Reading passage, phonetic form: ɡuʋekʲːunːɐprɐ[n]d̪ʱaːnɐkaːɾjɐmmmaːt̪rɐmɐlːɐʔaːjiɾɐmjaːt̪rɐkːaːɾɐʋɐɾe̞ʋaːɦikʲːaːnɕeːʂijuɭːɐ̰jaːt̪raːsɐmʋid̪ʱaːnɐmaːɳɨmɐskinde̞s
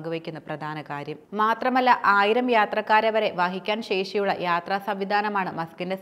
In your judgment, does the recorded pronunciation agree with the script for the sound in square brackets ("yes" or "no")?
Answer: no